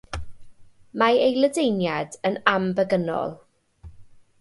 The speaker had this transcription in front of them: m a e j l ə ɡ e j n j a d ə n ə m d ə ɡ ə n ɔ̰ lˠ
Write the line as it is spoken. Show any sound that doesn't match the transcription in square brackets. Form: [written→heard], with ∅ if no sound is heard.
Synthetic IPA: m a e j l ə [ɡ→d] e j n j a d ə n [ə→a] m [d→b] ə ɡ ə n ɔ̰ lˠ